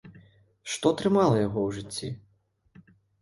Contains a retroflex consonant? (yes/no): yes